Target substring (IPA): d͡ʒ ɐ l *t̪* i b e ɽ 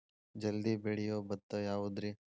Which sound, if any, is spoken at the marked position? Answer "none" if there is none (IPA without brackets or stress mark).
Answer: d̪